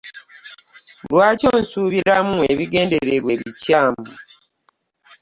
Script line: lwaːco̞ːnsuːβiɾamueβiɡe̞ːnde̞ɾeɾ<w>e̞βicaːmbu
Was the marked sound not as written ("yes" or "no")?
no